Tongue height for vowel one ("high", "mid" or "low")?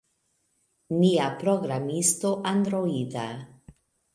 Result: high